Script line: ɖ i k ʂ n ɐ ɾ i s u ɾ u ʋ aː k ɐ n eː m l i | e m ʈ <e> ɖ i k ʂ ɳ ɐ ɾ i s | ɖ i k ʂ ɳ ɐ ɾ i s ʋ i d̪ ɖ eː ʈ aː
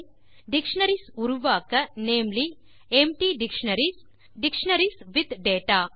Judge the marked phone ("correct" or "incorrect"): incorrect